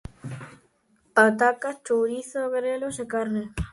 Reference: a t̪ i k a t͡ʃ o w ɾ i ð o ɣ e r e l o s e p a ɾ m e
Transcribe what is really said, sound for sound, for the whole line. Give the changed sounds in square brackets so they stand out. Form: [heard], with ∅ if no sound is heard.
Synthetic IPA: a t̪ [a] k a t͡ʃ o w ɾ i [θ] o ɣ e [ɾ] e l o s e [k] a ɾ [n] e